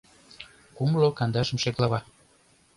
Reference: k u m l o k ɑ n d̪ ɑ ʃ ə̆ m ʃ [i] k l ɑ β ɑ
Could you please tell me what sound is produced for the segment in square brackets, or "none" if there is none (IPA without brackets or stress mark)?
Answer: e